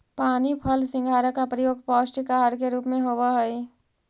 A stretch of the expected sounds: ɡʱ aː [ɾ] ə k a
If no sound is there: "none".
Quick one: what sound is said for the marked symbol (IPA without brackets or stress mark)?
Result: ɾ